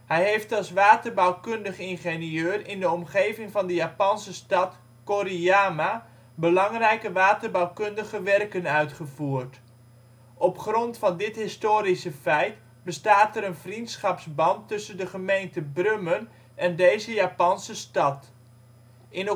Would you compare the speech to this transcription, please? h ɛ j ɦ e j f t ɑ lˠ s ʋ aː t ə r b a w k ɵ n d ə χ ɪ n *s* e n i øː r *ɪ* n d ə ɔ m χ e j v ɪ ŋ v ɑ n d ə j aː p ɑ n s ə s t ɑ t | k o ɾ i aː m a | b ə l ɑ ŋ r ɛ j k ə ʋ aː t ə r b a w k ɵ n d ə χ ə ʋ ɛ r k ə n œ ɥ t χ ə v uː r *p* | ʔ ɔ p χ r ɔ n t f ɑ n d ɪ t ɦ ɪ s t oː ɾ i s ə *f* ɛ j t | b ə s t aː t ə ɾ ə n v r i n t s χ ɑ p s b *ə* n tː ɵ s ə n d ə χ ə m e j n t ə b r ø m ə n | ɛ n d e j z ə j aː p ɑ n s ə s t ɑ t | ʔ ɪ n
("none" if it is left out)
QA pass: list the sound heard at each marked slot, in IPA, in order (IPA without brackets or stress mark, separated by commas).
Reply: χ, ɪ, t, f, ɑ